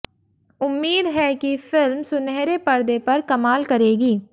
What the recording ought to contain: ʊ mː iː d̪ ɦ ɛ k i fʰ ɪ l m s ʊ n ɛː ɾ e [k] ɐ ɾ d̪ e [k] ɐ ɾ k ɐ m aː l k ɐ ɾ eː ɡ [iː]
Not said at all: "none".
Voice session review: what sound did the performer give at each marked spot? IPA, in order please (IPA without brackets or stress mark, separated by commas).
p, p, iː